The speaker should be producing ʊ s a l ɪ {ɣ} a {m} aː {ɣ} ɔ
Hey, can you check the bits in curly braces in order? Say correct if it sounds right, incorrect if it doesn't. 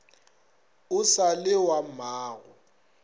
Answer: incorrect: w, correct, correct

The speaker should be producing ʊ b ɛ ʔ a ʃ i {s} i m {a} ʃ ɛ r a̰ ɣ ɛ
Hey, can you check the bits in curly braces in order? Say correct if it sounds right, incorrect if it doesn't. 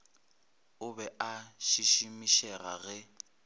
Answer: incorrect: ʃ, incorrect: i

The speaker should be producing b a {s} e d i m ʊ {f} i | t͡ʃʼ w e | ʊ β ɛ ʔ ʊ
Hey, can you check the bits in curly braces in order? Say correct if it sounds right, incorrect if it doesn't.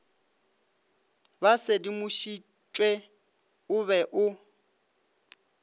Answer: correct, incorrect: ʃ

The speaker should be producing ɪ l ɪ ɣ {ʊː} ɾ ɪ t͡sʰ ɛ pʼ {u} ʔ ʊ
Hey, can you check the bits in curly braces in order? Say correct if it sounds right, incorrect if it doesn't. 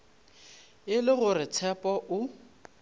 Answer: incorrect: ʊ, incorrect: ɔ

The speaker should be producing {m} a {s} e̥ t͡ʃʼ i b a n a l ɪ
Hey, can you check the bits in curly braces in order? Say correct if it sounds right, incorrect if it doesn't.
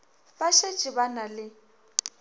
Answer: incorrect: b, incorrect: ʃ

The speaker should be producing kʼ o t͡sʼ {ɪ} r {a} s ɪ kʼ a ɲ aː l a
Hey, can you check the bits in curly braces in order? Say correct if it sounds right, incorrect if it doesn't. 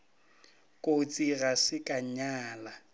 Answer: incorrect: i, correct

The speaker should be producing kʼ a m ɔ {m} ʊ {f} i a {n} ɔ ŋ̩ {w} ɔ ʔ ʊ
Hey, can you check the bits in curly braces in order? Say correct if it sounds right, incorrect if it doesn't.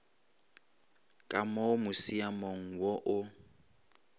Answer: correct, incorrect: s, incorrect: m, correct

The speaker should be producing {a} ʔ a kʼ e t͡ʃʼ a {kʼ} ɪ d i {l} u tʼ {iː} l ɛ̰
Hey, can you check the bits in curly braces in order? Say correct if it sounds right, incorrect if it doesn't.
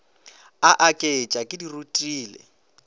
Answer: correct, correct, incorrect: r, correct

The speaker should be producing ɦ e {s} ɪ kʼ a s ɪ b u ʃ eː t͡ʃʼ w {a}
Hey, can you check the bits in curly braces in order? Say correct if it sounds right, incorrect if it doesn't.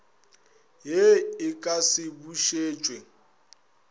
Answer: incorrect: none, incorrect: e

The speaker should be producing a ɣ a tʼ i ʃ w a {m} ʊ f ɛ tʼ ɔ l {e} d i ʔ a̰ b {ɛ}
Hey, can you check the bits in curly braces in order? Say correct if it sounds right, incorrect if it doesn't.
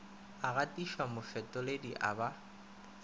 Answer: correct, correct, incorrect: a

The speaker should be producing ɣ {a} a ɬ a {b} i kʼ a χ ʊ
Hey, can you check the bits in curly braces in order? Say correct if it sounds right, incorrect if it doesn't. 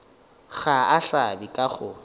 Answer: correct, correct

